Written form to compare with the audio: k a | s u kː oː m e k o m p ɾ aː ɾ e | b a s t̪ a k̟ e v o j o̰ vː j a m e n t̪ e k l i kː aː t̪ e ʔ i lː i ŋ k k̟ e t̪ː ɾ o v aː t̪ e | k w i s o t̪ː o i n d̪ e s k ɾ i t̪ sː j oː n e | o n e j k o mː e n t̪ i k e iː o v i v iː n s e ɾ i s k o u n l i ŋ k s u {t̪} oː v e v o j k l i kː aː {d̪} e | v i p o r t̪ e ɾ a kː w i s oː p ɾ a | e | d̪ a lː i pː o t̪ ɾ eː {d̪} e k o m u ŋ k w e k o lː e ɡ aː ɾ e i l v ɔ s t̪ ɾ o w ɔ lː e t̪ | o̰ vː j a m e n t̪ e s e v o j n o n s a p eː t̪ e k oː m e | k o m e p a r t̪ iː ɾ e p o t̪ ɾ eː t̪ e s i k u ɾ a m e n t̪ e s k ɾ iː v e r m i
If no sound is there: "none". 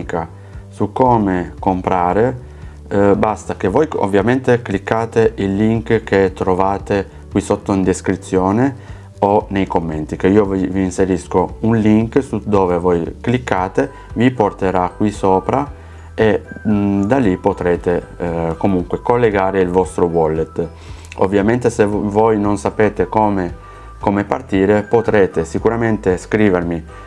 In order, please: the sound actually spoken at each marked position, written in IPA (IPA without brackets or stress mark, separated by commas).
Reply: d̪, t̪, t̪